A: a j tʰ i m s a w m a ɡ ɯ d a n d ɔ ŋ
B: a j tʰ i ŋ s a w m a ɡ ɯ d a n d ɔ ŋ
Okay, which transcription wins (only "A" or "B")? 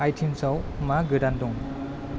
A